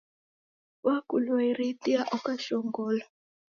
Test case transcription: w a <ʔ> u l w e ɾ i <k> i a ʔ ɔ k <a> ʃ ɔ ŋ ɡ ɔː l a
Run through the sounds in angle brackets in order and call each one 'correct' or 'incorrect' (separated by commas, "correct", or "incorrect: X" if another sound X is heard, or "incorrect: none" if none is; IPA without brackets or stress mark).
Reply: incorrect: k, incorrect: t, correct